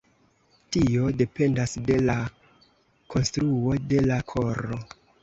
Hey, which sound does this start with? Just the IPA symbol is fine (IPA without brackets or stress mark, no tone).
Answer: t